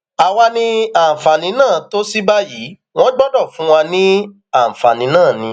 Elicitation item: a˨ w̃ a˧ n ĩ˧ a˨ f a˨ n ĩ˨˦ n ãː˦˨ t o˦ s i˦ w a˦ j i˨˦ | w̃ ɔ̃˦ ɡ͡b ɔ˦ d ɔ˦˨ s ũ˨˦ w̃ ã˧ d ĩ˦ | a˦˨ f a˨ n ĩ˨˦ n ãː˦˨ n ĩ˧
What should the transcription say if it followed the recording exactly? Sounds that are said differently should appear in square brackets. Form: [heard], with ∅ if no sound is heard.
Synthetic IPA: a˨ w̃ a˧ n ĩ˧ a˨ f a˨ n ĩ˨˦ n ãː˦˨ t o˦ s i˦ [b] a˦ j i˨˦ | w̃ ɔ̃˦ ɡ͡b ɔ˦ d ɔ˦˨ [f] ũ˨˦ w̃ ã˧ [n] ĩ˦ | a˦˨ f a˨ n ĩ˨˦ n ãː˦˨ n ĩ˧

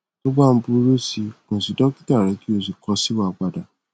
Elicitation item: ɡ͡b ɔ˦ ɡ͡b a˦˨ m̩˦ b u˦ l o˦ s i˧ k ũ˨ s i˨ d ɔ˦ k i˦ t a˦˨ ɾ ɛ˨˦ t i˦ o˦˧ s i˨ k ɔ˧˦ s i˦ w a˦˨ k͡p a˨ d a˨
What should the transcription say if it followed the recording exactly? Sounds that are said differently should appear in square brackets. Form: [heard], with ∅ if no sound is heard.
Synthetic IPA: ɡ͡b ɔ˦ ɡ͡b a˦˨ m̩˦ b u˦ [ɾ] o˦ s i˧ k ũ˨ s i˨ d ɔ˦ k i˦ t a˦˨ ɾ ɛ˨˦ [k] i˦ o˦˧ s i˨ k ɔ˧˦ s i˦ w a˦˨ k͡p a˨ d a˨

